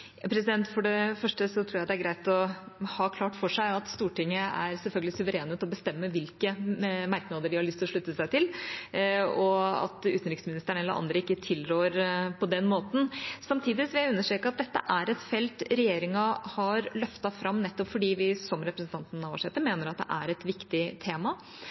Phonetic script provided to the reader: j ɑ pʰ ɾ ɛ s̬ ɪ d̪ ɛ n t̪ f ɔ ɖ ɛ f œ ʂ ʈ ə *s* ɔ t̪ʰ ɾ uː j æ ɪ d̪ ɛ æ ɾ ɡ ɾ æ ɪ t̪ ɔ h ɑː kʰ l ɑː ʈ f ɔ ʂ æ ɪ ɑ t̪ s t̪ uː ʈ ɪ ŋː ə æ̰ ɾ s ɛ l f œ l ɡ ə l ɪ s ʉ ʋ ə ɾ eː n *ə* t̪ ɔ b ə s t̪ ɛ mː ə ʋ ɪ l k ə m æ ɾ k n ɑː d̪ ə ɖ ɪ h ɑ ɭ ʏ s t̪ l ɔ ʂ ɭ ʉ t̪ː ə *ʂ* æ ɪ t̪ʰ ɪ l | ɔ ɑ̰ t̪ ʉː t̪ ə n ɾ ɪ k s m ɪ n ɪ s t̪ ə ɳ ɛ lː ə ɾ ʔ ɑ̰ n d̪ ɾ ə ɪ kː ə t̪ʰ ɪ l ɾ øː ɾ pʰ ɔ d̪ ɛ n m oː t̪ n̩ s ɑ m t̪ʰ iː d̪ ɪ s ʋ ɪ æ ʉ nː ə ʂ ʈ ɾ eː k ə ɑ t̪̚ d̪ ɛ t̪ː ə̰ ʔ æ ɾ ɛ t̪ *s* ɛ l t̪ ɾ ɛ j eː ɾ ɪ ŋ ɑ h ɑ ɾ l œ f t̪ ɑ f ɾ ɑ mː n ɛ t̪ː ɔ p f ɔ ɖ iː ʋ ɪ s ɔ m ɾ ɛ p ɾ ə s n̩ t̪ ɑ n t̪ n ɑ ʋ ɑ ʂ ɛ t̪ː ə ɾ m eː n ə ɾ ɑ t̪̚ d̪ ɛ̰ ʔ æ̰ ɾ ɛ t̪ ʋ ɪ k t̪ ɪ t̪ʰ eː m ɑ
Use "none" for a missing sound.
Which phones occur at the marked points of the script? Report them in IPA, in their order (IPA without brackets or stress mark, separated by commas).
s, ə, s, f